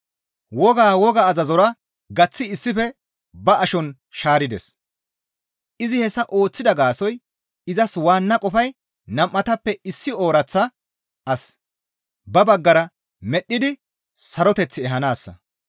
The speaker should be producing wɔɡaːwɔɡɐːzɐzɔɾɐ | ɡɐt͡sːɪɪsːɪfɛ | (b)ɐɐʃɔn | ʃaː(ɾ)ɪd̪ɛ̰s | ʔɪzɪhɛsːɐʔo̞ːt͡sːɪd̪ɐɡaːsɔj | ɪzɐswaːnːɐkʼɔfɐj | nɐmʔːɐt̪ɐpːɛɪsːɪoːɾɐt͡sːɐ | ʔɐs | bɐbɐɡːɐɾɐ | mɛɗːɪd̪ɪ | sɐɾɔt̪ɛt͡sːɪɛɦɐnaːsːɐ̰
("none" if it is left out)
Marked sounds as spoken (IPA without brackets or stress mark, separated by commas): b, ɾ